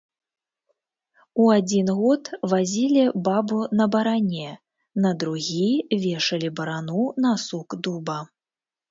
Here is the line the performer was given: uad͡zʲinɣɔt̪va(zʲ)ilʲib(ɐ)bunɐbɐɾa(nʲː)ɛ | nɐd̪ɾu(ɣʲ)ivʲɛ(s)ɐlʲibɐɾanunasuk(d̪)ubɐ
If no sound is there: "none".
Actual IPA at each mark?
zʲ, a, nʲ, ɣʲ, ʂ, d̪

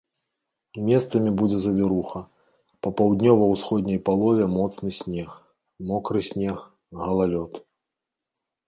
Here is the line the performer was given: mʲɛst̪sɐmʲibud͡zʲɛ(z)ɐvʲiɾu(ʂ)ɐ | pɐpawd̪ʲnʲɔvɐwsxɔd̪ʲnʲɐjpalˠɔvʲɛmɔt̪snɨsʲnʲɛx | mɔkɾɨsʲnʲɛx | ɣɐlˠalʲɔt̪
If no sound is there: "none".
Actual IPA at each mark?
z, x

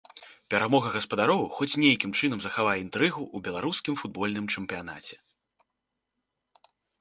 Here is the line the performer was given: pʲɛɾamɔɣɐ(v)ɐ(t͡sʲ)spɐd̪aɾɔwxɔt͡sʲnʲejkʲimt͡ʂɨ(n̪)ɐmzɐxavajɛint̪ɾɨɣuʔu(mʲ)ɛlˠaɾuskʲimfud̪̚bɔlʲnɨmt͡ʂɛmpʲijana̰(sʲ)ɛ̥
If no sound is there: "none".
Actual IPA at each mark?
ɣ, none, n̪, bʲ, t͡sʲ

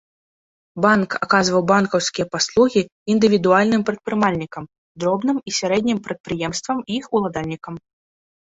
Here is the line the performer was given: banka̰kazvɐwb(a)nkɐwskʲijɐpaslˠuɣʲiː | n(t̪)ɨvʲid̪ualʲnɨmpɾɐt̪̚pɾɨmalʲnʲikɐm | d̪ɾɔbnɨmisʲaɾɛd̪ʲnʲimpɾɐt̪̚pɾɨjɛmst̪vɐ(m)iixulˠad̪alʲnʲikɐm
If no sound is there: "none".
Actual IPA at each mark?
a, d̪, m

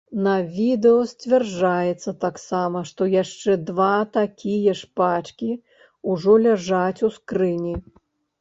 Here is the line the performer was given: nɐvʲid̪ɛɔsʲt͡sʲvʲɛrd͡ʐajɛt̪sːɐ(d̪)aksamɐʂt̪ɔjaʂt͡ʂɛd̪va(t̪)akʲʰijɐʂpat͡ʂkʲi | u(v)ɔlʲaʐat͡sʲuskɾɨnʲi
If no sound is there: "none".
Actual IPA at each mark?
t̪, t̪, ʐ

